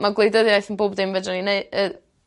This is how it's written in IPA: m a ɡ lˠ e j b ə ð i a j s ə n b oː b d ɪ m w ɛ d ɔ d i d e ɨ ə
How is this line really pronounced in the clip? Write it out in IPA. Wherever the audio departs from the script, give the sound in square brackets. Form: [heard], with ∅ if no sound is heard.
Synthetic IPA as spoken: m a ɡ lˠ e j [d] ə ð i a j [θ] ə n b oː b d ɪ m [v] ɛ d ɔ [n] i [n] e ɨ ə